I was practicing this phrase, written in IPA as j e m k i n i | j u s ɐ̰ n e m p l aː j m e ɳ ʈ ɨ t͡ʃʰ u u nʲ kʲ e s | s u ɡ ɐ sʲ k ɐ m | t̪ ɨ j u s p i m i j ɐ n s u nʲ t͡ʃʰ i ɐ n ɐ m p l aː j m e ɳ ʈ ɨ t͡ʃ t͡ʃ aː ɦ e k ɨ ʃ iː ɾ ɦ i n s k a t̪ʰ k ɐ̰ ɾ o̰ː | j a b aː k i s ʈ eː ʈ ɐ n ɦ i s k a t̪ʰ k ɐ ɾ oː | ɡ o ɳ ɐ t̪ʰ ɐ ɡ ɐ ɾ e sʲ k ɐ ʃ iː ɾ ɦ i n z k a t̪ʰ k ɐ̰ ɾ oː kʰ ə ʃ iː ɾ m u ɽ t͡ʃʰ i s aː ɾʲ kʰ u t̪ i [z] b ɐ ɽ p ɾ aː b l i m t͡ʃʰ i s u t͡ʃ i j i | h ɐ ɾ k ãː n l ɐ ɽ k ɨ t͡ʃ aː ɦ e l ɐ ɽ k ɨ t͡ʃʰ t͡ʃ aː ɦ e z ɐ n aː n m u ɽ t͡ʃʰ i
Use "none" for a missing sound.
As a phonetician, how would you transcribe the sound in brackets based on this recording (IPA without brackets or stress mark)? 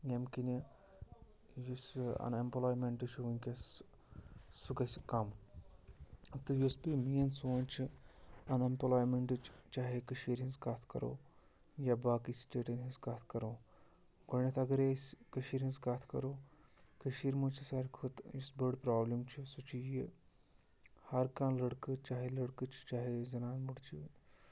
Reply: s